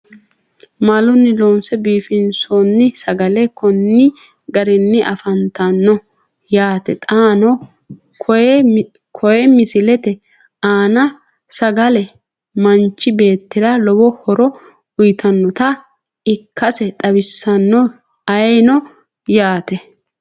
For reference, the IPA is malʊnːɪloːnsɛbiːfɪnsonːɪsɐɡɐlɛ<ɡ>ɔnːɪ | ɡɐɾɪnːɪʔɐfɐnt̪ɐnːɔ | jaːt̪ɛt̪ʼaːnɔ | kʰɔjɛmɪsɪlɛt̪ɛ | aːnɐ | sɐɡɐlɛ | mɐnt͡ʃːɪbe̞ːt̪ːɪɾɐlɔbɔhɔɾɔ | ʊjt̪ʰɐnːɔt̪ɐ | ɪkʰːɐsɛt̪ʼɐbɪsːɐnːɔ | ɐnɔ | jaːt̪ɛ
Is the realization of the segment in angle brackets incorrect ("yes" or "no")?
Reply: yes